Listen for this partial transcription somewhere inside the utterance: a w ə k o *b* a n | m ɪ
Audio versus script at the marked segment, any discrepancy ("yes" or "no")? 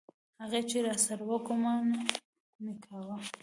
yes